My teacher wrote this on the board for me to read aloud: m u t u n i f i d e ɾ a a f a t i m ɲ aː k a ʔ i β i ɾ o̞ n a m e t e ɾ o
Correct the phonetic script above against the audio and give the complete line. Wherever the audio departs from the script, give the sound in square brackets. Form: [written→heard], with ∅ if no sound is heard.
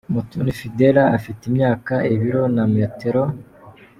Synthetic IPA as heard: m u t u n i f i d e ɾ a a f [a→i] t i m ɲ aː k a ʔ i β i ɾ o̞ n a m e t e ɾ o